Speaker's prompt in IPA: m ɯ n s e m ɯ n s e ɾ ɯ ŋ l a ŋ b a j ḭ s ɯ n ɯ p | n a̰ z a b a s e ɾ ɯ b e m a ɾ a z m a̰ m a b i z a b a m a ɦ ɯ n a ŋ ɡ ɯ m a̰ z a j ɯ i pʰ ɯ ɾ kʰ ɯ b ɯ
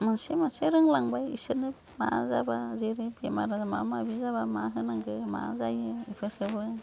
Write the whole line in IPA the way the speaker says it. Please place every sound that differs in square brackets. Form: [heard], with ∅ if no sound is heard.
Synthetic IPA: m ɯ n s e m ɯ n s e ɾ ɯ ŋ l a ŋ b a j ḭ s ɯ n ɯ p | [m] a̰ z a b a [z] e ɾ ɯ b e m a ɾ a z m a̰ m a b i z a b a m a ɦ ɯ n a ŋ ɡ ɯ m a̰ z a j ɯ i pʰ ɯ ɾ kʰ ɯ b ɯ